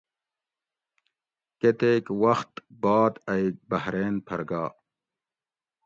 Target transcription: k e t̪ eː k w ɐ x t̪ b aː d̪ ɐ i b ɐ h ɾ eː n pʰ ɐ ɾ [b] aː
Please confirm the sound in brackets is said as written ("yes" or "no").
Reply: no